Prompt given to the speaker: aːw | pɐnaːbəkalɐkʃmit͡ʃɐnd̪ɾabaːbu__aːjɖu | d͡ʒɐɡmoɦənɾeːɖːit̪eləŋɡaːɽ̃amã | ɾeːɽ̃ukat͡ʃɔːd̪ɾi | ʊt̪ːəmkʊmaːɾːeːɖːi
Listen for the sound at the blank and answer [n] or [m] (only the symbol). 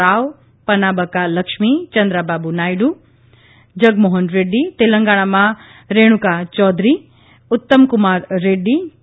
n